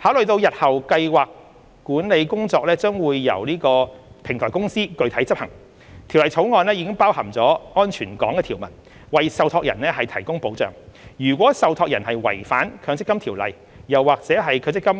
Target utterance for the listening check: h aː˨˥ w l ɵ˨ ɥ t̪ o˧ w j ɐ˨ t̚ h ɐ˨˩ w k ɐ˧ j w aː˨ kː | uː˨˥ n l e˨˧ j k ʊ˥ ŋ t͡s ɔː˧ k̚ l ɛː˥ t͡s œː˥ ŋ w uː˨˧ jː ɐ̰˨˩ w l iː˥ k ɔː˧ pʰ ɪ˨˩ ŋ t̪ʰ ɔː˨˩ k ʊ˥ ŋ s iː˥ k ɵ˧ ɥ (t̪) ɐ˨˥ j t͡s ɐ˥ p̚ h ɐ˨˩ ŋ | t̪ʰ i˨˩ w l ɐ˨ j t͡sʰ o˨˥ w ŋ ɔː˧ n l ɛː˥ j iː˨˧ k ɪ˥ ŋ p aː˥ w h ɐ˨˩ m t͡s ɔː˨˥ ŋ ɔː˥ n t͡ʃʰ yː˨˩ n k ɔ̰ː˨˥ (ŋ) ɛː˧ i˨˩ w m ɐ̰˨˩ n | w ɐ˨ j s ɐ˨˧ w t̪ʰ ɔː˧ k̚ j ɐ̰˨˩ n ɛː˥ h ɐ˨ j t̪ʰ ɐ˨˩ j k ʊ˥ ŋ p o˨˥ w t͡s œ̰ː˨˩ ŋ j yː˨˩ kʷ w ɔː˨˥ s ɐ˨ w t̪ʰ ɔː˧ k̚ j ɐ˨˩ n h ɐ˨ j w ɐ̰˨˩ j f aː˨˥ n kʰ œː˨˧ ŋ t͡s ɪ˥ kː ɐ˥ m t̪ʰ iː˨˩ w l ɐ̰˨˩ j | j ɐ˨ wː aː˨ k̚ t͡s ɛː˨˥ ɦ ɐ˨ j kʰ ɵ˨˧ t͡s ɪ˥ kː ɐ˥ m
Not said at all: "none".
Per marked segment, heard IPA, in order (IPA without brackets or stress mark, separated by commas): t̪ʰ, ŋ